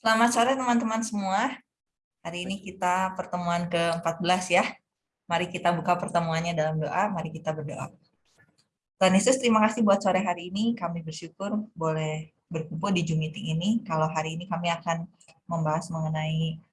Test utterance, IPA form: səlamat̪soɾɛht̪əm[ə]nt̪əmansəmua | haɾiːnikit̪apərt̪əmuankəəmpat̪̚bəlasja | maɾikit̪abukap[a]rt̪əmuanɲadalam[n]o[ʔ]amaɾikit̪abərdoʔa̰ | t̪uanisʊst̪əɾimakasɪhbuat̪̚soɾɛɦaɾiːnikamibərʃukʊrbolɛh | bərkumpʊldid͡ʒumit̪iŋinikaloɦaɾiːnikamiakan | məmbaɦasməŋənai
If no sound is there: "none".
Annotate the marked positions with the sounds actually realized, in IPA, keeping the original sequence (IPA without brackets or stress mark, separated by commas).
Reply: a, ə, d, ʔ